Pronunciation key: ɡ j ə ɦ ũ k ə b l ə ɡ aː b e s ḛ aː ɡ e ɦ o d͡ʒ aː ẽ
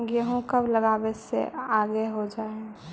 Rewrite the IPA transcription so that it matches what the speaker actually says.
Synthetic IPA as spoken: ɡ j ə ɦ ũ k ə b l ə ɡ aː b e s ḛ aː ɡ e ɦ o d͡ʒ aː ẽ